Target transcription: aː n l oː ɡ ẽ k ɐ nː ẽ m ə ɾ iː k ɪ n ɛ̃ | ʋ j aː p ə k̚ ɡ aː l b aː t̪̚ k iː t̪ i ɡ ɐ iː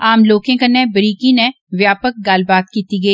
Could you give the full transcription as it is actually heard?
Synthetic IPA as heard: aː m l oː k ẽ k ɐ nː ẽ b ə ɾ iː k i n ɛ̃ | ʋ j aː p ə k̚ ɡ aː l b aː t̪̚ k iː t̪ i ɡ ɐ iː